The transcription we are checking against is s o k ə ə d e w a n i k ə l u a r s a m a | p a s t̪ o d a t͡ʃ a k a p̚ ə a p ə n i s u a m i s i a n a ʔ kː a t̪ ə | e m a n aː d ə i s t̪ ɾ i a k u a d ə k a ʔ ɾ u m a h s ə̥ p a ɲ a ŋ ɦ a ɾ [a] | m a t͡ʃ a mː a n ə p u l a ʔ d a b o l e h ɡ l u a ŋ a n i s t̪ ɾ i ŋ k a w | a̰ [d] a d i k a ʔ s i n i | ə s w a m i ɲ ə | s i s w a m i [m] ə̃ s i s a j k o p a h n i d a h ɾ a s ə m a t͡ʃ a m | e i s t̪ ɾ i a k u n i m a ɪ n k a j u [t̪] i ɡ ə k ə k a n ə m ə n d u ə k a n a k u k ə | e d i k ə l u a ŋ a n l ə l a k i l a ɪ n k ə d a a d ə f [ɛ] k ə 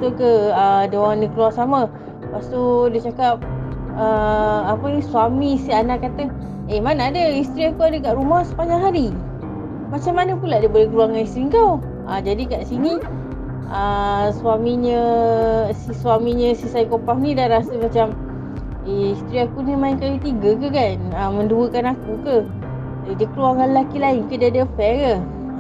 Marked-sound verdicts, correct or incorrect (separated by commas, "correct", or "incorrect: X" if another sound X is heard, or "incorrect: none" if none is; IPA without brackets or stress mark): incorrect: i, incorrect: d͡ʒ, incorrect: ɲ, correct, correct